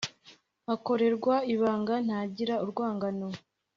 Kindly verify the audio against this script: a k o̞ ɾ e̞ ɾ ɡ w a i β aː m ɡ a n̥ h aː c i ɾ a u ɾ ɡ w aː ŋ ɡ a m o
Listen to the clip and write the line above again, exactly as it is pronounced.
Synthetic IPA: a k o̞ ɾ e̞ ɾ ɡ w a i β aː ŋ ɡ a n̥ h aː ɟ i ɾ a u ɾ ɡ w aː ŋ ɡ a n o